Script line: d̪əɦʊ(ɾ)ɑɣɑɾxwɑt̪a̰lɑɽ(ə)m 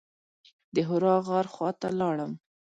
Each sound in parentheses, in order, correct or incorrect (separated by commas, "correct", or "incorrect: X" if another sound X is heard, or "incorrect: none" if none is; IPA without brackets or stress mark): correct, correct